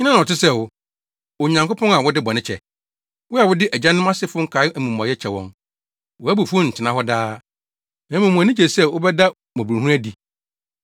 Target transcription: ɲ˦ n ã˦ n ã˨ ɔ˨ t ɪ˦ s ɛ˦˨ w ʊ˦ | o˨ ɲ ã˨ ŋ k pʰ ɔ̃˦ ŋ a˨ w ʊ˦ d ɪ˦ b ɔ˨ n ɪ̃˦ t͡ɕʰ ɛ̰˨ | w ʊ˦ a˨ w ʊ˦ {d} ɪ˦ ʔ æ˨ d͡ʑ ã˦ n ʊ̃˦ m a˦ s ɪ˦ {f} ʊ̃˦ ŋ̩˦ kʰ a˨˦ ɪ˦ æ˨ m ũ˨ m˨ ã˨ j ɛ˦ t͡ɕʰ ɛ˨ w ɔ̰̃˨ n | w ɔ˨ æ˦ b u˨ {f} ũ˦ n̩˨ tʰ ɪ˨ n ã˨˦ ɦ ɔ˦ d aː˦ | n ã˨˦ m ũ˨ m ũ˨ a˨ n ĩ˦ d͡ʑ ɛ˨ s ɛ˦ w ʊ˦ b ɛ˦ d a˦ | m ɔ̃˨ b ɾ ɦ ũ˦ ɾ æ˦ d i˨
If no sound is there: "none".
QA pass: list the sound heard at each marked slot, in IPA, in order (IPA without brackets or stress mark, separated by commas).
d, f, f